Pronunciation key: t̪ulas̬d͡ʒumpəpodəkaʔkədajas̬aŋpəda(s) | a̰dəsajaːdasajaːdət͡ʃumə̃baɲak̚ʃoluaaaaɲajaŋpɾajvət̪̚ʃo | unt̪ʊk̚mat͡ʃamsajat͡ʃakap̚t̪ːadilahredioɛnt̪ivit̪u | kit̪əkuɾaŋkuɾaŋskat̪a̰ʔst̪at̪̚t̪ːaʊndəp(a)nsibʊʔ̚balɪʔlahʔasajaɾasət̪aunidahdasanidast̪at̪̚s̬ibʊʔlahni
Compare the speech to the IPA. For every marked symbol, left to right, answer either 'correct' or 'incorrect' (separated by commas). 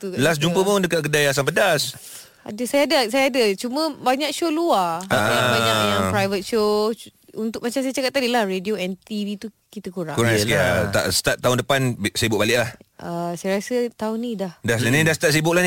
correct, correct